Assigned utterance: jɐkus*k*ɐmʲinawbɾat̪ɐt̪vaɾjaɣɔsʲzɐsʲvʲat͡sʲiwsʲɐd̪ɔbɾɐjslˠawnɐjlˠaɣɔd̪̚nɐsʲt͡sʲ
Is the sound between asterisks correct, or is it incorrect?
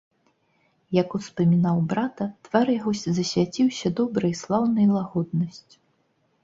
incorrect: p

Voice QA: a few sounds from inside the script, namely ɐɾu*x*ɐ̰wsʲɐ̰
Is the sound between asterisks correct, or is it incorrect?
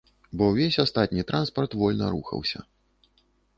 correct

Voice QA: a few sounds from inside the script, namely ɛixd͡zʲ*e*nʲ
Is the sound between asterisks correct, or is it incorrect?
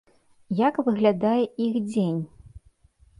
correct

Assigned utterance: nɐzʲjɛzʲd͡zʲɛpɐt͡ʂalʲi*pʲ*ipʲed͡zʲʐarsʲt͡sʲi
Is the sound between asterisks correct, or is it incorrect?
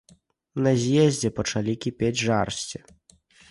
incorrect: kʲ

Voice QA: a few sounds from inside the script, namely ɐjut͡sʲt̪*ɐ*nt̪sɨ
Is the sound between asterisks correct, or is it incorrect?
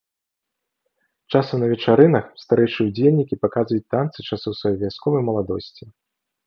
incorrect: a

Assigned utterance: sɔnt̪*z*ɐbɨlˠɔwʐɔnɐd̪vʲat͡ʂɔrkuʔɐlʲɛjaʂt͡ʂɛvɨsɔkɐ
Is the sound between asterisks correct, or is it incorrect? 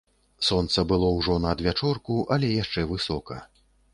incorrect: s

